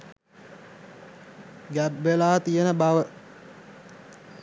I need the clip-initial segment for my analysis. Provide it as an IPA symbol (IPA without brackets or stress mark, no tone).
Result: ɡ